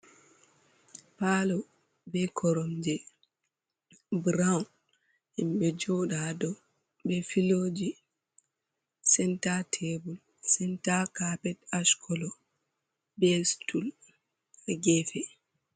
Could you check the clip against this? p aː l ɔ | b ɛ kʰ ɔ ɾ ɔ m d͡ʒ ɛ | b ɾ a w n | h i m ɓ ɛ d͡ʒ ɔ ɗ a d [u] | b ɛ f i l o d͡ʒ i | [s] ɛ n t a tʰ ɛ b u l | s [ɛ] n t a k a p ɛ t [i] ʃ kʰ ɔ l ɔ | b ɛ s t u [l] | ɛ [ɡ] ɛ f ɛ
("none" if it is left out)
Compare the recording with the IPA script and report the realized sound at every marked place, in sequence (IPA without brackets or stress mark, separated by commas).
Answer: ɔ, s, ɛ, a, l, ɡ